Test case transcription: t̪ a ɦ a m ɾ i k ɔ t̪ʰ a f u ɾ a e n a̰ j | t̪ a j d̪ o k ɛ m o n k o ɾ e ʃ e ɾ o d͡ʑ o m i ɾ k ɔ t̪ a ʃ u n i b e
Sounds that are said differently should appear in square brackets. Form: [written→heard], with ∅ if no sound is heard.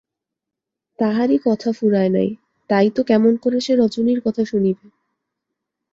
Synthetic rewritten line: t̪ a ɦ a [m→∅] ɾ i k ɔ t̪ʰ a f u ɾ a e n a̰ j | t̪ a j [d̪→t̪] o k ɛ m o n k o ɾ e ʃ e ɾ [o→ɔ] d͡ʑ o [m→n] i ɾ k ɔ [t̪→t̪ʰ] a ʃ u n i b e